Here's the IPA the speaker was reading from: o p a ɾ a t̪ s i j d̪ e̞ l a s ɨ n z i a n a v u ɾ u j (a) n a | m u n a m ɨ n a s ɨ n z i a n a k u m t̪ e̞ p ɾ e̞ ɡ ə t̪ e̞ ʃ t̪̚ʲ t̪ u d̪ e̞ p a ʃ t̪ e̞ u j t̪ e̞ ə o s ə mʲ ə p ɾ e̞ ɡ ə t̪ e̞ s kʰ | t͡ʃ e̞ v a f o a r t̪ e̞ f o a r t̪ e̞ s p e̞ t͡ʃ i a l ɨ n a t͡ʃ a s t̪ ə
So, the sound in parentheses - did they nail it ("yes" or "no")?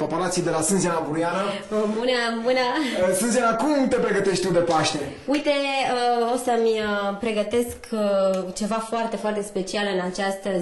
yes